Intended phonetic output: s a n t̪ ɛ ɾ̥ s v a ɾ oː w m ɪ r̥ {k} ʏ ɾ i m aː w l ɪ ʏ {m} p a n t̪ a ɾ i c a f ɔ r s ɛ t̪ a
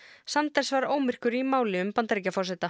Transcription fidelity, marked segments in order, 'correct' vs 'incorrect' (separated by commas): correct, correct